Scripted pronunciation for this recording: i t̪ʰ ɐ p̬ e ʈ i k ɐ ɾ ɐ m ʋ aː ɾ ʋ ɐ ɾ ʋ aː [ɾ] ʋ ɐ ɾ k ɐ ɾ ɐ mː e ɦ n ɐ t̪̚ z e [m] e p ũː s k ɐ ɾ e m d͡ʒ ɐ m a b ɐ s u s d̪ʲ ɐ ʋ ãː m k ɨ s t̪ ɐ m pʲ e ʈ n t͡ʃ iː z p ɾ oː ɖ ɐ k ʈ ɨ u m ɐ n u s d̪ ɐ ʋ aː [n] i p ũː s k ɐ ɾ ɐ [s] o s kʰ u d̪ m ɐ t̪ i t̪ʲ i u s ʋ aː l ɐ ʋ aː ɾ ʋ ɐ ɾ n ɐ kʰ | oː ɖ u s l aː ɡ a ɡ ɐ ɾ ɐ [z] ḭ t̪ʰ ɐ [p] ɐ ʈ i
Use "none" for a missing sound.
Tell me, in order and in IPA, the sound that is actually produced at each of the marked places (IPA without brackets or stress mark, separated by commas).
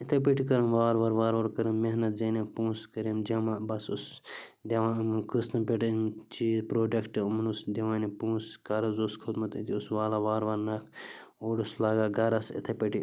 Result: ɾ, n, n, z, s, p